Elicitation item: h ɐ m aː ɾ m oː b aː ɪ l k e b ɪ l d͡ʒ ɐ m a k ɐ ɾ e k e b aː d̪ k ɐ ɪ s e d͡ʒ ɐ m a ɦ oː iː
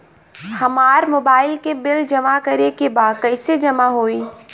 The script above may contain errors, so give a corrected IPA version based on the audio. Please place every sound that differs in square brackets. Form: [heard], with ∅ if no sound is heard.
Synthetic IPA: h ɐ m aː ɾ m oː b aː ɪ l k e b ɪ l d͡ʒ ɐ m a k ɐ ɾ e k e b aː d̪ k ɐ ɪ s e d͡ʒ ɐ m a ɦ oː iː